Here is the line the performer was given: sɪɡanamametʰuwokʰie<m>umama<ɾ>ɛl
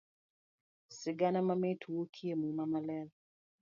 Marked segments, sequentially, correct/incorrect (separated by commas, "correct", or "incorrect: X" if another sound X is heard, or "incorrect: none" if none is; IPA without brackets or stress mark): correct, incorrect: l